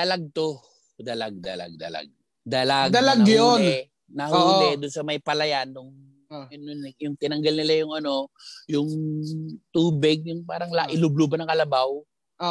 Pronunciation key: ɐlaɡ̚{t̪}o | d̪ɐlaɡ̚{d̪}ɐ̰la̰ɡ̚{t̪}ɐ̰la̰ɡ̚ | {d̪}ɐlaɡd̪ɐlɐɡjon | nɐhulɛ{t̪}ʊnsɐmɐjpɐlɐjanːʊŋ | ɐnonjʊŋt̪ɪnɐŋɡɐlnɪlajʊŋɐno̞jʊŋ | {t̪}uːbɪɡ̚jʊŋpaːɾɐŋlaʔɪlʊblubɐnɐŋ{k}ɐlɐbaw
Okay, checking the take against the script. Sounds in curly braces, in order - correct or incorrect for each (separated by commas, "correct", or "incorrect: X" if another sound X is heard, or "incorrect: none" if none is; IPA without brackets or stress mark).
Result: correct, correct, incorrect: d̪, correct, incorrect: d̪, correct, correct